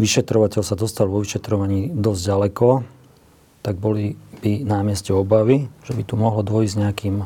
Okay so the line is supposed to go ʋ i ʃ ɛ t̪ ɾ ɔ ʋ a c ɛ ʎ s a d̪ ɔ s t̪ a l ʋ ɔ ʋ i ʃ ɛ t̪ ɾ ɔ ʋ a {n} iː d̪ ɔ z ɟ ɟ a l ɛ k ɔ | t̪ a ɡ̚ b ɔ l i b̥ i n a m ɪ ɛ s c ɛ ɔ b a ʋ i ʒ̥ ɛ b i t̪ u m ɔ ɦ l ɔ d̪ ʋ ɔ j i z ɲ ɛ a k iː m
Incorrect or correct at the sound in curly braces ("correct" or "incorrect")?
incorrect